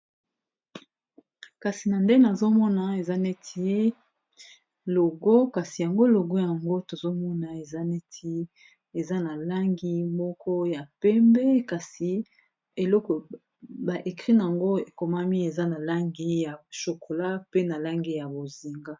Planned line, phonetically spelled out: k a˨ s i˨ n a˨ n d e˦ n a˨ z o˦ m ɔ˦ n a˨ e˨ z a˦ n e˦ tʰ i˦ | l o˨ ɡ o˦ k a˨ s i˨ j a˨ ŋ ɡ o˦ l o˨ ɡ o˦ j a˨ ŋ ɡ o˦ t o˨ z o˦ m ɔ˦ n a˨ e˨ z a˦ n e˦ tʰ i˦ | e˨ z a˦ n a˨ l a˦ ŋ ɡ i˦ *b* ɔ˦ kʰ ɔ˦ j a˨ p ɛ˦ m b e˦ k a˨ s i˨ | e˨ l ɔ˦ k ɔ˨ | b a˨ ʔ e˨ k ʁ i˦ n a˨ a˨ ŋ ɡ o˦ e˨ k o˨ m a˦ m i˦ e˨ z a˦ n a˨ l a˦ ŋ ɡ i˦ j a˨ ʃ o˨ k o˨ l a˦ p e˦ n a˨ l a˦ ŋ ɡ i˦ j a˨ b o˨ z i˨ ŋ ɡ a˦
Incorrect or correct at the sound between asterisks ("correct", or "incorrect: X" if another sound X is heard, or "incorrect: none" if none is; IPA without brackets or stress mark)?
incorrect: m